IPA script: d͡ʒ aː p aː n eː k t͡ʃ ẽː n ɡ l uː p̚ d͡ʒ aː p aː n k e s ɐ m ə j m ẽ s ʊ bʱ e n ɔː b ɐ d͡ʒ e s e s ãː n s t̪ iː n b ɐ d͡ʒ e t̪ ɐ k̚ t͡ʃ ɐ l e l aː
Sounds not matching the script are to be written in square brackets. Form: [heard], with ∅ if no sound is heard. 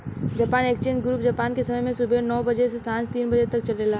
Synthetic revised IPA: d͡ʒ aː p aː n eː k t͡ʃ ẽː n ɡ [ɾ] uː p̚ d͡ʒ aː p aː n k e s ɐ m ə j m ẽ s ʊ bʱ e n ɔː b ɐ d͡ʒ e s e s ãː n s t̪ iː n b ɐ d͡ʒ e t̪ ɐ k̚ t͡ʃ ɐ l e l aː